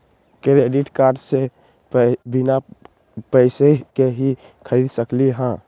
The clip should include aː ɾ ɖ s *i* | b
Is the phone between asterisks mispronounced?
yes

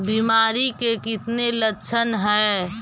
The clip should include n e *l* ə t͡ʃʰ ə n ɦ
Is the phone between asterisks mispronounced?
no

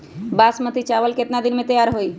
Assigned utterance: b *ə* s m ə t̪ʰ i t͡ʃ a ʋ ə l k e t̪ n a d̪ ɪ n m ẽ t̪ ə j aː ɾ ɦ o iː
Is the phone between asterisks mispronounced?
yes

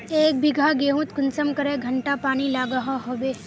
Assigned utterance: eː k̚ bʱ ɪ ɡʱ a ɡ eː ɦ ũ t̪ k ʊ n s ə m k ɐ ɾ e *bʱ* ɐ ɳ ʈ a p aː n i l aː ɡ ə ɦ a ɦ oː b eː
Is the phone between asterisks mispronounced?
yes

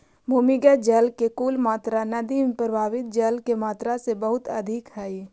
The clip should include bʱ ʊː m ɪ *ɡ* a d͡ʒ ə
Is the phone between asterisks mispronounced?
no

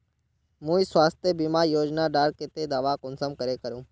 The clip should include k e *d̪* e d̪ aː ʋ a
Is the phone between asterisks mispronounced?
yes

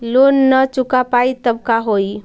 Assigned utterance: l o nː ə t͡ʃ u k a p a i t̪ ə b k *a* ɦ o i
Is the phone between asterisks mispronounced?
no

